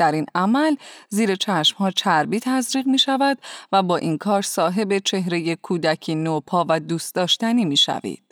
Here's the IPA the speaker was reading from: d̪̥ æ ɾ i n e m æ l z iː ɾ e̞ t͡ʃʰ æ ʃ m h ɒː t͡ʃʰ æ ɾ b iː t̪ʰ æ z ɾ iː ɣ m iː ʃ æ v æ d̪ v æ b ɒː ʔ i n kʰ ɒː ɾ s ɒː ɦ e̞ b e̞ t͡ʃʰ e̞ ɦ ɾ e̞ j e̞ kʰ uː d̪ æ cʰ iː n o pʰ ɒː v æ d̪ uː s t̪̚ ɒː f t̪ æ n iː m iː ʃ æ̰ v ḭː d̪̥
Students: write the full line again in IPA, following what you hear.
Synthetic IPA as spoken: d̪̥ æ ɾ i n æ m æ l z iː ɾ e̞ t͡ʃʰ æ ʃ m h ɒː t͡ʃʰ æ ɾ b iː t̪ʰ æ z ɾ iː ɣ m iː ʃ æ v æ d̪ v æ b ɒː ʔ i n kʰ ɒː ɾ s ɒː ɦ e̞ b e̞ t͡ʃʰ e̞ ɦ ɾ e̞ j e̞ kʰ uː d̪ æ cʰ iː n o pʰ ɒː v æ d̪ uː s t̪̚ ɒː ʃ t̪ æ n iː m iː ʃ æ̰ v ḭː d̪̥